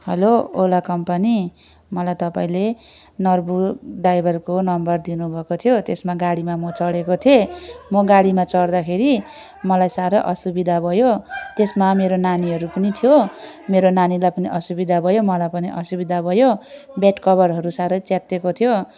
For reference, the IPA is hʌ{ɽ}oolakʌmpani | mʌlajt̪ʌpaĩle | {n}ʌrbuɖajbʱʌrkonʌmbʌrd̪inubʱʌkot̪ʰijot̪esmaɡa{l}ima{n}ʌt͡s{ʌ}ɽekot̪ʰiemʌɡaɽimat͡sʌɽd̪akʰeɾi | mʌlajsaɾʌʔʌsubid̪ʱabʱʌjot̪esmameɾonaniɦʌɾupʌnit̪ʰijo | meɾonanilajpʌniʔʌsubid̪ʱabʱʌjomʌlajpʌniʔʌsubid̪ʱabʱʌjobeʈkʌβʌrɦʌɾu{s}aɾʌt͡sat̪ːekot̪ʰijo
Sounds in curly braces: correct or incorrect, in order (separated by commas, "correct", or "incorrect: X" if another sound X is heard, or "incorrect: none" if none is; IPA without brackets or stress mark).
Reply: incorrect: l, correct, incorrect: ɽ, incorrect: m, correct, correct